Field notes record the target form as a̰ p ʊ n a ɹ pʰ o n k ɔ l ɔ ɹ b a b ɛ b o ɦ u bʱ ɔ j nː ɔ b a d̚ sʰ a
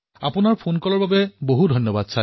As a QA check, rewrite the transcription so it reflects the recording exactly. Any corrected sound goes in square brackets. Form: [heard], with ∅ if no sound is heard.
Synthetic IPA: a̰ p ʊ n a ɹ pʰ o n k ɔ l ɔ ɹ b a b ɛ b o ɦ u [dʱ] ɔ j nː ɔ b a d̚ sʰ a